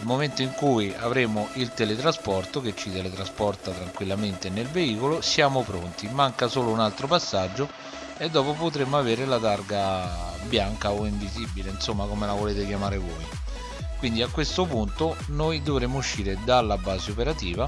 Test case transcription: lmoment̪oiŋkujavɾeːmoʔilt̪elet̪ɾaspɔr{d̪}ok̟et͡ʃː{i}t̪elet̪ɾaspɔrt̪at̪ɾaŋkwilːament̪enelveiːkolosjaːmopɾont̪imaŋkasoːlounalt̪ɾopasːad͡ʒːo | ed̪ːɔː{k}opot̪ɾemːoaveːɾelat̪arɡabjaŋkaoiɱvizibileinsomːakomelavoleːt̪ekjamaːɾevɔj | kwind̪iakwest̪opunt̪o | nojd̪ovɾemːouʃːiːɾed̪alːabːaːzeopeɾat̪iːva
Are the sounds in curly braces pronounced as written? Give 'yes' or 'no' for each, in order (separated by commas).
no, yes, no